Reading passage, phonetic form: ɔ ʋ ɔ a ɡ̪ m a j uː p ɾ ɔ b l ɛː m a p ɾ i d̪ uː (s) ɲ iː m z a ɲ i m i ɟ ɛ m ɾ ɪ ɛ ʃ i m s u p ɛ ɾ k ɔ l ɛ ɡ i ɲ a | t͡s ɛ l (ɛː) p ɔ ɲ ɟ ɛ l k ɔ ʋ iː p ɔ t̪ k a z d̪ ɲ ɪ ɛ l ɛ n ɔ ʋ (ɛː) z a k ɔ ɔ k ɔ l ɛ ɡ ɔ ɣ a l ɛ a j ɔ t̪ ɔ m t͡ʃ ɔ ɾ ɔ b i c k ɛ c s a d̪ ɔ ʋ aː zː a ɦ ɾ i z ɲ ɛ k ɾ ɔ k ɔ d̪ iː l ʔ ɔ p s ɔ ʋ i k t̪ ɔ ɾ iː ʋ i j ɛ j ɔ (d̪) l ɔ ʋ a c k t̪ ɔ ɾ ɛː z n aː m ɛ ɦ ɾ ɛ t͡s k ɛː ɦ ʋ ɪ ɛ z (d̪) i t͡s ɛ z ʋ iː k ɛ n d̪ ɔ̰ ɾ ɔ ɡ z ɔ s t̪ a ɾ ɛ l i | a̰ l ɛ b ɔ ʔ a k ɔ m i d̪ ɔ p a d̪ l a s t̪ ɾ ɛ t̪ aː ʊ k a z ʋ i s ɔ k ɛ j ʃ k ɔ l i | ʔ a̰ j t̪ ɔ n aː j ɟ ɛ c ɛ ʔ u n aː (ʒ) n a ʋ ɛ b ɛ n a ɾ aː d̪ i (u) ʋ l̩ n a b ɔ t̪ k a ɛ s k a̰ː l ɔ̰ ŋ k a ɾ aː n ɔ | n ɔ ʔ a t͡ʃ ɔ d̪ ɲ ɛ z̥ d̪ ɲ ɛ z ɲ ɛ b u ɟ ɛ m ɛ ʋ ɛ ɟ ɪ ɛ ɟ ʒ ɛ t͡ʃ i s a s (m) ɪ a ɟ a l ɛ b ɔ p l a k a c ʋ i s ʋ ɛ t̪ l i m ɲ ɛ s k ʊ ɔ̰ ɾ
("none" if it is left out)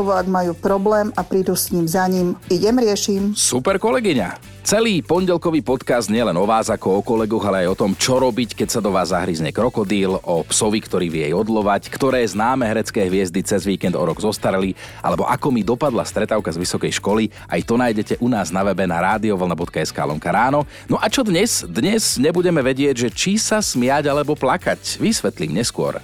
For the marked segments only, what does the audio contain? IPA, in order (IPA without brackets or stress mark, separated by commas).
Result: s, iː, aː, d̪, d̪, z, ɔ, m